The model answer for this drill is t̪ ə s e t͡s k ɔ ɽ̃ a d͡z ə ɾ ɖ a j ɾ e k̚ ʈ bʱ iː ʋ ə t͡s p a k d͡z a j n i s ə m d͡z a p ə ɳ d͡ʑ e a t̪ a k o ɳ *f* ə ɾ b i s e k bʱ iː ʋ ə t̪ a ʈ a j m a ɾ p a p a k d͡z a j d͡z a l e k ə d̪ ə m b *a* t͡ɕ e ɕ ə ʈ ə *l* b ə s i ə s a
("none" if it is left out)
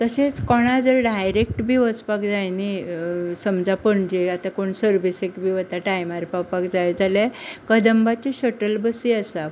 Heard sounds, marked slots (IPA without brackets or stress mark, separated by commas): s, a, l